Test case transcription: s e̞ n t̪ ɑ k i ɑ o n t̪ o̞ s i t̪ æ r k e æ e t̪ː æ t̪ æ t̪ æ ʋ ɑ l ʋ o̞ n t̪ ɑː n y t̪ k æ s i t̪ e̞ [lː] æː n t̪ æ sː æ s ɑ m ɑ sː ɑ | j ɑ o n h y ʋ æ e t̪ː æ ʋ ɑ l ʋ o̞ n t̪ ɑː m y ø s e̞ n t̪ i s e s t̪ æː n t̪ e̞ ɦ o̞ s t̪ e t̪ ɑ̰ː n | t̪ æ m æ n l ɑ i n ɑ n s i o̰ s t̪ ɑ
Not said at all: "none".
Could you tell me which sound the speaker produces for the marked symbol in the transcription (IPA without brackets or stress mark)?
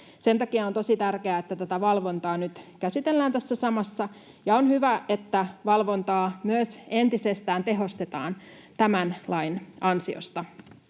lː